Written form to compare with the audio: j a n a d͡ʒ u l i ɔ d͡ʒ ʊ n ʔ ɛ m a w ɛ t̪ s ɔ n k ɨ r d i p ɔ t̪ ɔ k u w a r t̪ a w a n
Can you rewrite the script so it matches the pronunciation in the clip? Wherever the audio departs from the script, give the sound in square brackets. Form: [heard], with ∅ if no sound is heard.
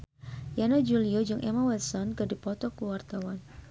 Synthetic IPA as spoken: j a n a d͡ʒ u l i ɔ d͡ʒ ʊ [ŋ] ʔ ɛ m a w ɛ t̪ s ɔ n k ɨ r d i p ɔ t̪ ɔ k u w a r t̪ a w a n